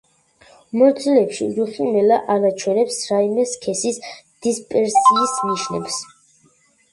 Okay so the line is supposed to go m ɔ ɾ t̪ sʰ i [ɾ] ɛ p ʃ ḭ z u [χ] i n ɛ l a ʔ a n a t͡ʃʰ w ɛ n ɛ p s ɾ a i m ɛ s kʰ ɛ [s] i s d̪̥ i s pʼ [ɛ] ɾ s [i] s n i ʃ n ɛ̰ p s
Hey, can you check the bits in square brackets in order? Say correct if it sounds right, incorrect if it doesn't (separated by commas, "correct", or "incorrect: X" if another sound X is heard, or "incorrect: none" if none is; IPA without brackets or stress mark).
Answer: incorrect: l, correct, correct, correct, incorrect: iː